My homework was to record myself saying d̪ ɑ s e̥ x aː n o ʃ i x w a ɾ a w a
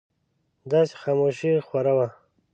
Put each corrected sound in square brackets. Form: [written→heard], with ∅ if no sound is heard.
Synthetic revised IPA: d̪ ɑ s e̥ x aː [n→m] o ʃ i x w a ɾ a w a